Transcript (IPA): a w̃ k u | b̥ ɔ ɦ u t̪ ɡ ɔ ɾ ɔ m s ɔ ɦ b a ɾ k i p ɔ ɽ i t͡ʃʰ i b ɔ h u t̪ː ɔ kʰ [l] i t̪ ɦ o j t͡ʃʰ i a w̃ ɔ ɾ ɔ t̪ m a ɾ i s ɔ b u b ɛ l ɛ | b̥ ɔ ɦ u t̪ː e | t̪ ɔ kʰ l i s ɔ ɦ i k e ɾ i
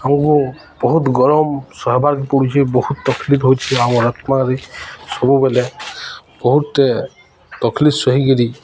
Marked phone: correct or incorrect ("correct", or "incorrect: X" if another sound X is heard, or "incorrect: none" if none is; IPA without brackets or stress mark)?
correct